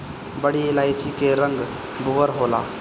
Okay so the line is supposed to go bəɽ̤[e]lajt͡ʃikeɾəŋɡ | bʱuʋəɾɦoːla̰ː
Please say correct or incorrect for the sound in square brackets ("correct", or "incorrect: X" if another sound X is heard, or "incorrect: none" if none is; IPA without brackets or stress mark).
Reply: incorrect: i